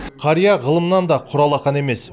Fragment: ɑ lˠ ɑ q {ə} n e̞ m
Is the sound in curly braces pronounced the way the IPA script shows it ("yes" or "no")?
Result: no